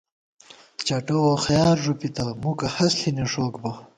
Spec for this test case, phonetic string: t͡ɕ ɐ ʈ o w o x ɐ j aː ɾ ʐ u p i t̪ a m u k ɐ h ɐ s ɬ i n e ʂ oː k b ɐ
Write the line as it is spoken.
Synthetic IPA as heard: t͡ɕ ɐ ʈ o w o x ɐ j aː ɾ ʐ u p i t̪ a m u k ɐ h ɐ s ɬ i n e ʂ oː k b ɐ